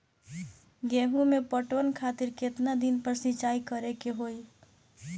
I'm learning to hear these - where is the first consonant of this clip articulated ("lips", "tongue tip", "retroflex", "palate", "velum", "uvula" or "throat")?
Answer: velum